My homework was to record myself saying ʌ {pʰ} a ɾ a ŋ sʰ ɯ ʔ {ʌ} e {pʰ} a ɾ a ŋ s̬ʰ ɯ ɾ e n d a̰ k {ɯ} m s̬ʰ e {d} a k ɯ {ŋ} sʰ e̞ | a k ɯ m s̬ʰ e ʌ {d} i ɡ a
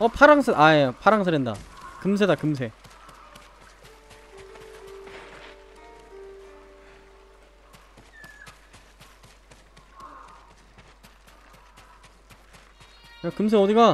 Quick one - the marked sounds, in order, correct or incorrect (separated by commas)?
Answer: correct, incorrect, correct, correct, correct, incorrect, correct